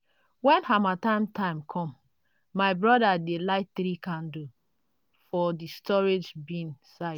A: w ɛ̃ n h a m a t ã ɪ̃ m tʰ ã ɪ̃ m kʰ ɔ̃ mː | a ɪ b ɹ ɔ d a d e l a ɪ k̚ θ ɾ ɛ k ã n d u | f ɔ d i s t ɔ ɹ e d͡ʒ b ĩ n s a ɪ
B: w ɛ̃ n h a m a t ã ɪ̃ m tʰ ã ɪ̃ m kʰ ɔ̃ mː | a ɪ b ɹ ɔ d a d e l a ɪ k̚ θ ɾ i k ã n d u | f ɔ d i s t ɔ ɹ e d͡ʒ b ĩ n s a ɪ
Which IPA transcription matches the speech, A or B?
B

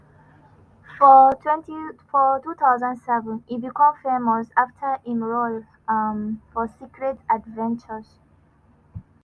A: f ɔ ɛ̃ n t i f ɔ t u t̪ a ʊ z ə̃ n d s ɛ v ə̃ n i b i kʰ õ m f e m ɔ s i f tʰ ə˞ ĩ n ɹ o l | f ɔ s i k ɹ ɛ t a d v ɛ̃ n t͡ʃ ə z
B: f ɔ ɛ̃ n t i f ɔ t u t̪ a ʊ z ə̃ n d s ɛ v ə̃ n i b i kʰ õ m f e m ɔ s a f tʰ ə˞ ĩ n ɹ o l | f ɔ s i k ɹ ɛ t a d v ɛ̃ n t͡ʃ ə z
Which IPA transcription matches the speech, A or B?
B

